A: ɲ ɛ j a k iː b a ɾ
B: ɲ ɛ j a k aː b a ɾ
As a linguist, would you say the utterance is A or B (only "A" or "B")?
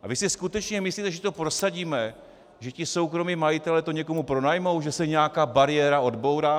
B